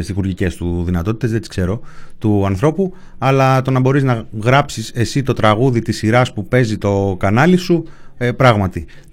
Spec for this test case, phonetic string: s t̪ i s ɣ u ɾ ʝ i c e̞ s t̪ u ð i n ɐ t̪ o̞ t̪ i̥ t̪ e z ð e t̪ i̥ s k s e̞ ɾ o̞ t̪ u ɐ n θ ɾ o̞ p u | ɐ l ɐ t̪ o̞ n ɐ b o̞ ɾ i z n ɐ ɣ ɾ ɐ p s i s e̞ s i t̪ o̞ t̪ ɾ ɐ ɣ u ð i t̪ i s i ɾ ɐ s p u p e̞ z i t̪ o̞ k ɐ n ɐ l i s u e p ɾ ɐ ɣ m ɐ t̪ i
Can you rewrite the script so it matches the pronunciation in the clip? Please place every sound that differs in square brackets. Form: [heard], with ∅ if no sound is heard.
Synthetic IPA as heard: s t̪ i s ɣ u ɾ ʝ i c e̞ s t̪ u ð i n ɐ t̪ o̞ t̪ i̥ t̪ e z ð e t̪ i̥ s k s e̞ ɾ o̞ t̪ u ɐ n θ ɾ o̞ p u | ɐ l ɐ t̪ o̞ n ɐ b o̞ ɾ i z n ɐ ɣ ɾ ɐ p s i s e̞ s i t̪ o̞ t̪ ɾ ɐ ɣ u ð i t̪ i s i ɾ ɐ s p u p e̞ z i t̪ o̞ k ɐ n ɐ l i s u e p ɾ ɐ ɣ m ɐ t̪ i